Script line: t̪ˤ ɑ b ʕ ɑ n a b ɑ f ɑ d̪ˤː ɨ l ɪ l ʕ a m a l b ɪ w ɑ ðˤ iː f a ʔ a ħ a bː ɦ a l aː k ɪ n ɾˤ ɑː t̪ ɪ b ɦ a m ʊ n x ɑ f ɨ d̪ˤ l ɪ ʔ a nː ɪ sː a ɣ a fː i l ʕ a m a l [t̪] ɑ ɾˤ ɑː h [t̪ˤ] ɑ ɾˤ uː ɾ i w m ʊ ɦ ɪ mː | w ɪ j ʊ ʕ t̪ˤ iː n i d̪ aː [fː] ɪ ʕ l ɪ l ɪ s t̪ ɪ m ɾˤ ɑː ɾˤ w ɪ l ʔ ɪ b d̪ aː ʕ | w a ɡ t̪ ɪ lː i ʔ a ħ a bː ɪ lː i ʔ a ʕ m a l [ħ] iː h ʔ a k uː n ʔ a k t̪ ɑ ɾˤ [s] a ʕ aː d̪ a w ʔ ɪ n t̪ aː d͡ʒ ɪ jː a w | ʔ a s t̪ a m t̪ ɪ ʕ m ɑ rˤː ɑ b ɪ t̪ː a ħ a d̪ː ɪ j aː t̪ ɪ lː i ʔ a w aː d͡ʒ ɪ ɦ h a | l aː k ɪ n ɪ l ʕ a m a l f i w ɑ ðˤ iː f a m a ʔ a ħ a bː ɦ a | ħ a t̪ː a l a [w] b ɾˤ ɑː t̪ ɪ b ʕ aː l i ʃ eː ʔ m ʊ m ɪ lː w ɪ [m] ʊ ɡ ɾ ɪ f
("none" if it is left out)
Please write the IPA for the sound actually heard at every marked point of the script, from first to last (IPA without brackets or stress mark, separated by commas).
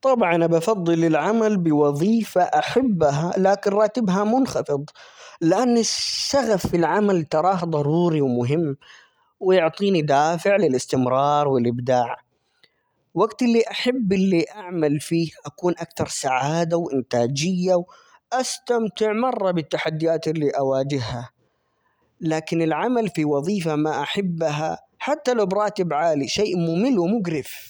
t̪, d̪ˤ, f, f, s, w, m